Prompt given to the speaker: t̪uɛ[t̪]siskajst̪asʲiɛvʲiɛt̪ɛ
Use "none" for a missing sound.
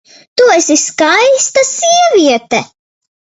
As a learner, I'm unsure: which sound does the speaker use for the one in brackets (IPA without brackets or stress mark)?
none